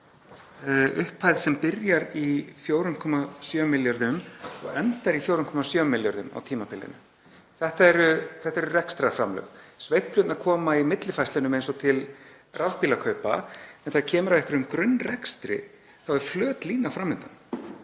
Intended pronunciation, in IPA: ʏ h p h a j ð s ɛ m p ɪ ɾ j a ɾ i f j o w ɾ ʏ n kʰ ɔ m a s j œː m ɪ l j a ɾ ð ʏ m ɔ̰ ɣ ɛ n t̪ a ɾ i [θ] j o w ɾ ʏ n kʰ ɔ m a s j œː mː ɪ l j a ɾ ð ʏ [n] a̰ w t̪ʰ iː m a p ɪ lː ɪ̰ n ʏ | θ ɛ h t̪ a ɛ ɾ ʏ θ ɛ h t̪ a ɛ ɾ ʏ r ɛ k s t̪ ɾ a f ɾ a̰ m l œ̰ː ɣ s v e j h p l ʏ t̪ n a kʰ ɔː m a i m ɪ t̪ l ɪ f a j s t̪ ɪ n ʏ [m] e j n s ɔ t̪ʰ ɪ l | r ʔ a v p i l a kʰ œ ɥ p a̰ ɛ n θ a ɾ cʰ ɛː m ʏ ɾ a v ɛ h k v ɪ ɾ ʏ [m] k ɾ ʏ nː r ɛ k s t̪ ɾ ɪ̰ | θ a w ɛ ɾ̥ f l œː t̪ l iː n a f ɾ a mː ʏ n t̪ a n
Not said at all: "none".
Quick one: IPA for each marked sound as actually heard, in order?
f, m, m, m

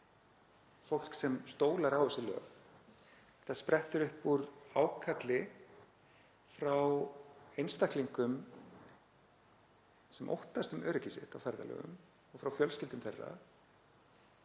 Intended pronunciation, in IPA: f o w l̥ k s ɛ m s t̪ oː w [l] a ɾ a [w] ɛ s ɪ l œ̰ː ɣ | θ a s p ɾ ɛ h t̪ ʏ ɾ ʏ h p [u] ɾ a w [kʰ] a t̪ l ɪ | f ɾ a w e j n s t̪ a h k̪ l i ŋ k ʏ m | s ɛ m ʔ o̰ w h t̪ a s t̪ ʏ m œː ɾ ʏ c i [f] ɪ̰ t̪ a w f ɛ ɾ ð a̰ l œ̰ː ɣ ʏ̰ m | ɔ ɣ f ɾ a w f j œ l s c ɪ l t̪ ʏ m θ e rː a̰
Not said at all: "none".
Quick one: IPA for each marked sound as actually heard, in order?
l, w, u, kʰ, s

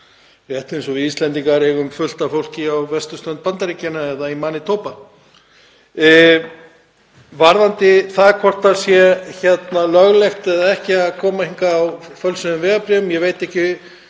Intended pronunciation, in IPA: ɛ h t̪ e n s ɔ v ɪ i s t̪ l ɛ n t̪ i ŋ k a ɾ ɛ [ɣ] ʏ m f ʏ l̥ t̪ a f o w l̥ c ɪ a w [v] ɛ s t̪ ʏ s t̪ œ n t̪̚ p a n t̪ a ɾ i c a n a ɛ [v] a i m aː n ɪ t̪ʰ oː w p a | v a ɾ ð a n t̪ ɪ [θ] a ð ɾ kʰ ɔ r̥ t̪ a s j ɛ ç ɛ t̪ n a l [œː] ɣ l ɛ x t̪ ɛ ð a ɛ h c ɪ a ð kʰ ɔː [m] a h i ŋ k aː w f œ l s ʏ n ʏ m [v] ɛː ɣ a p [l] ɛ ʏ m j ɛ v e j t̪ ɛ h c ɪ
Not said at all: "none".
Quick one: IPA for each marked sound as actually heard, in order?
ɣ, v, ð, θ, œ, m, v, ɾ

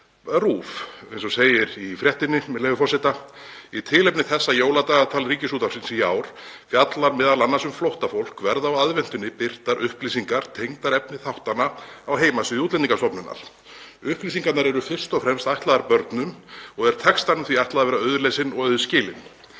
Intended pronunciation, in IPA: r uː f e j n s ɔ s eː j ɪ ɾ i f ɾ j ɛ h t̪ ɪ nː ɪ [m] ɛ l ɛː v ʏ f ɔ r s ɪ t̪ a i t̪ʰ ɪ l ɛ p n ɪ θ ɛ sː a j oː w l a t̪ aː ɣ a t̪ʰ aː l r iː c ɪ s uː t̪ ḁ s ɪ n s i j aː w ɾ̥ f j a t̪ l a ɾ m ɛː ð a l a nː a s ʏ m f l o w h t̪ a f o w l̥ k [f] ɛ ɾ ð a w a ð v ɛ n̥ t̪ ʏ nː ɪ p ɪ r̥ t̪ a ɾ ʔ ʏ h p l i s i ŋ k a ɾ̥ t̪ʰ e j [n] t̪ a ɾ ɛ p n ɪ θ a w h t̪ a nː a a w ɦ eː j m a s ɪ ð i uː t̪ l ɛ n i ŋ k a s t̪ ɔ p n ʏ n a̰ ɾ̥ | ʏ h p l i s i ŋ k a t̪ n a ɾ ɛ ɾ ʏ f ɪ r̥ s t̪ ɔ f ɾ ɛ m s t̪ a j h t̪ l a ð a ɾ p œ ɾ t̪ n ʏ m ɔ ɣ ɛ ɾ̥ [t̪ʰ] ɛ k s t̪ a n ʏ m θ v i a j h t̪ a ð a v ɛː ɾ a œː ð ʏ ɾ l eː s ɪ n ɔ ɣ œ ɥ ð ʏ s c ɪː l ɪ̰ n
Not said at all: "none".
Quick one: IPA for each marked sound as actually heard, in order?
m, v, ŋ, t̪ʰ

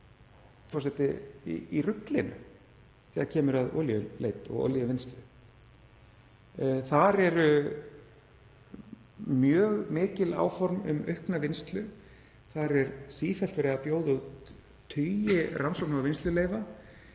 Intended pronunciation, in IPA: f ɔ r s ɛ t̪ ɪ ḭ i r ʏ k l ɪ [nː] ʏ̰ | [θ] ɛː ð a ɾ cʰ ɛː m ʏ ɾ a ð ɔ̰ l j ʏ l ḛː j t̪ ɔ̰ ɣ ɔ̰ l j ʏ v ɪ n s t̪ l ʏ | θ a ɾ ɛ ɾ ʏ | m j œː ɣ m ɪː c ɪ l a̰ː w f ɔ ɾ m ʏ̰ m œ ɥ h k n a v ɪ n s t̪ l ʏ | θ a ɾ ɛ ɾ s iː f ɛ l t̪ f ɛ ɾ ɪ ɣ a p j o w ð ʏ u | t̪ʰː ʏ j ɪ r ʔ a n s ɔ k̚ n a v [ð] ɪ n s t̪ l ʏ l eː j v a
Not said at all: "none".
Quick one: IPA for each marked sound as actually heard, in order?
n, θ, v

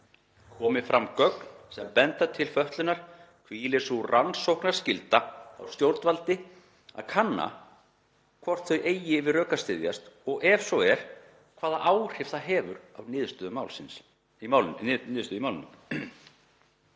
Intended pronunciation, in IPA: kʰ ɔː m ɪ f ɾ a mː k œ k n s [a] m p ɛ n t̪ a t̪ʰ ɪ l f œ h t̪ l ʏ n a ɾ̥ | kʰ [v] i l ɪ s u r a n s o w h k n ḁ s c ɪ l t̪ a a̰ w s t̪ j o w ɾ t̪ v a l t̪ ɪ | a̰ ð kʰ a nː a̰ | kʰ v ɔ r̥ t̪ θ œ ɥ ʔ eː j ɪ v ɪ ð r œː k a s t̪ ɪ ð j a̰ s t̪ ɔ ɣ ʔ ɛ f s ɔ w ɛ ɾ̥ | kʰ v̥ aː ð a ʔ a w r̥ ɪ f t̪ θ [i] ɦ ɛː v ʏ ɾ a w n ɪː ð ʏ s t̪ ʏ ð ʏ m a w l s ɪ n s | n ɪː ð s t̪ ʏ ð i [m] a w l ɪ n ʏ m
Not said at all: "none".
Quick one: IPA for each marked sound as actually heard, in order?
ɛ, v, a, m

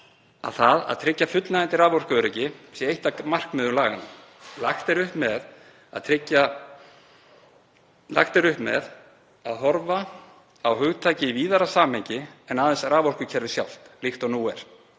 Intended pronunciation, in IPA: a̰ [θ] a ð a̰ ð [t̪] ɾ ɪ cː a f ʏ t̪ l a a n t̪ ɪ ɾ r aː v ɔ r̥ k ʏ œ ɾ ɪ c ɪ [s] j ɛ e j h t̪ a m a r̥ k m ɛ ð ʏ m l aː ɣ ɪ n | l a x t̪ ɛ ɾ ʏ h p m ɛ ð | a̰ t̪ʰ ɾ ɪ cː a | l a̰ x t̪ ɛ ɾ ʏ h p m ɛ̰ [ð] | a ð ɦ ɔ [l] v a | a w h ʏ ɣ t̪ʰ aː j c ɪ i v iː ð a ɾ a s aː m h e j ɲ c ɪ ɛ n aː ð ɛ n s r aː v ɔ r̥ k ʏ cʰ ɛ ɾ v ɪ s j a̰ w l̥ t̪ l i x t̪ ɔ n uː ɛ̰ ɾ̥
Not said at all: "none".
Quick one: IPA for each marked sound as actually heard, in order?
θ, t̪ʰ, s, ð, ɾ

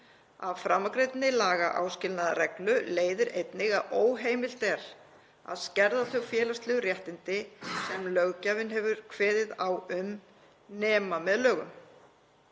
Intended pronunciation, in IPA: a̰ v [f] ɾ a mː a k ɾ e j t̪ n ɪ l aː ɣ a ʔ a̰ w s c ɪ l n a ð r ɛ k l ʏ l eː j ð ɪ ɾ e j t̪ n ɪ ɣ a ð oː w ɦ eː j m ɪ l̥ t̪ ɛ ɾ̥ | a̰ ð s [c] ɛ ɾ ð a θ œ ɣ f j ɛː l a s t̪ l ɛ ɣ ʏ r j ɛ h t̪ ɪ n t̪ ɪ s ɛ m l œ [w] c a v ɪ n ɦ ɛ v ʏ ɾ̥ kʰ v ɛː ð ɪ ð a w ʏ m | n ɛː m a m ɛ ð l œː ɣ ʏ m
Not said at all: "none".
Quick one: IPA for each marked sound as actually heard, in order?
f, c, ɣ

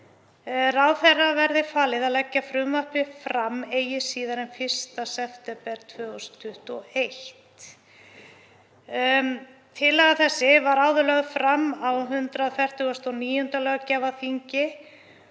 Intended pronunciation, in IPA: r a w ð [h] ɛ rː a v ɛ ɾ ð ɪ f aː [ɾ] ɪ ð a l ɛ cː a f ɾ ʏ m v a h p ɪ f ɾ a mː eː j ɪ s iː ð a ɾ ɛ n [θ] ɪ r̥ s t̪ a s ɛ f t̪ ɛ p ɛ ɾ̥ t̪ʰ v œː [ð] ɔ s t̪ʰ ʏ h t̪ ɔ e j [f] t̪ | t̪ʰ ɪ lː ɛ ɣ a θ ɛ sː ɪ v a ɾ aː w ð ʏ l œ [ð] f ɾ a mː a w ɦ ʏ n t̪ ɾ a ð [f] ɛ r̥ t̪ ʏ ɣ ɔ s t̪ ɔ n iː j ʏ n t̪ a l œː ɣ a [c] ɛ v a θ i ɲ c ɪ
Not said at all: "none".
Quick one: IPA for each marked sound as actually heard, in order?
θ, l, f, ɣ, h, ɣ, f, c

